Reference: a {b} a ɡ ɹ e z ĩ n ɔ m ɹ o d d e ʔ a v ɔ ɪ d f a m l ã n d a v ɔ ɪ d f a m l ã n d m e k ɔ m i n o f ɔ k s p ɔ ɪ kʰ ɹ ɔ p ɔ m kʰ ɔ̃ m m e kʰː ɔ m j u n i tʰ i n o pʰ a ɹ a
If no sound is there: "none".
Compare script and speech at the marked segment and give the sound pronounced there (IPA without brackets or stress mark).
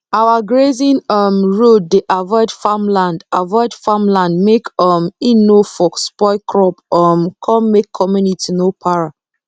w